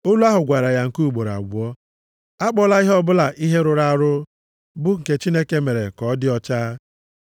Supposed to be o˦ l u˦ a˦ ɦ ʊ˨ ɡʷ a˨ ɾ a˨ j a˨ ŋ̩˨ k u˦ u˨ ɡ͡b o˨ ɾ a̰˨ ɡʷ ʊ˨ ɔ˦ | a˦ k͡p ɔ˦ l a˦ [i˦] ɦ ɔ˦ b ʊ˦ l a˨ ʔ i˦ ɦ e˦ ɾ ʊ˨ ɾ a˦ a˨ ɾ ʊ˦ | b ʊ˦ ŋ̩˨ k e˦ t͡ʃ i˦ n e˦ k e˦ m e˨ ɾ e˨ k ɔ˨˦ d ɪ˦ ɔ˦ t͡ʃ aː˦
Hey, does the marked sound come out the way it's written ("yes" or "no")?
yes